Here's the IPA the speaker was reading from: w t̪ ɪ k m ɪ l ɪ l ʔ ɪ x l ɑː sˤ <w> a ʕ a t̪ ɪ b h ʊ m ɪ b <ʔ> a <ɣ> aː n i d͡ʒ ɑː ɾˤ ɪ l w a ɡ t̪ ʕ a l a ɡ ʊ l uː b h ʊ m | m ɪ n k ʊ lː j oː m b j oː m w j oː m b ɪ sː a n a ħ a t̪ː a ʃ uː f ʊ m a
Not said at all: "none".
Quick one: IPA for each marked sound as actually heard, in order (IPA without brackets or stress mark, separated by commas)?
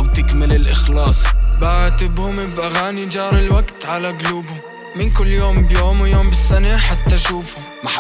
b, ʔ, ɣ